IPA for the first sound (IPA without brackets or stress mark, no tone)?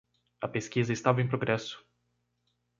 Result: ɐ